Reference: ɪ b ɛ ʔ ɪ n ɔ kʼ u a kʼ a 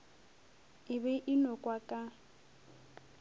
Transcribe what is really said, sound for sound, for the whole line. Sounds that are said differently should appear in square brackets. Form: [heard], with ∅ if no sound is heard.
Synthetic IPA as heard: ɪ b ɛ ʔ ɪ n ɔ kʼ [w] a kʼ a